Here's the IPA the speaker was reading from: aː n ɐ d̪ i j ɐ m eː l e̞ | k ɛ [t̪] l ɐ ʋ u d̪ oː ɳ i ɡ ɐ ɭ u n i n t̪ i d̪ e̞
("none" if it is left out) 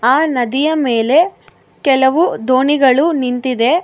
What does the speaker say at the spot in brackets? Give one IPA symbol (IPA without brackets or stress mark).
none